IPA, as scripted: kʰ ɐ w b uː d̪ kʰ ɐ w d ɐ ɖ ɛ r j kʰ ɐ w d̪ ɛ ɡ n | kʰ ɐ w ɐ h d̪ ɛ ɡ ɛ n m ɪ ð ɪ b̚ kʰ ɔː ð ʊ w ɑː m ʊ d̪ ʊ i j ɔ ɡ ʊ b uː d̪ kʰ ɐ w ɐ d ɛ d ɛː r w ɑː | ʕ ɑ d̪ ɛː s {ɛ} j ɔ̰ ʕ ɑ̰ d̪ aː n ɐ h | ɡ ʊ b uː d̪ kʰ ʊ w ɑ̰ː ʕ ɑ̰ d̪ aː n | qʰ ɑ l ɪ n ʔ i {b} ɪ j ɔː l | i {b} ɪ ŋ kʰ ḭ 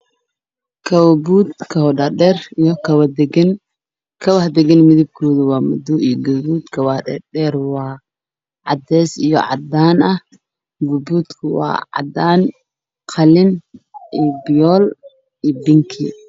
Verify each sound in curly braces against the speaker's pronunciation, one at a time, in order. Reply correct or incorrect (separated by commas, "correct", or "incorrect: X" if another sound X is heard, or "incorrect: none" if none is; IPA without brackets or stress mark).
incorrect: i, correct, correct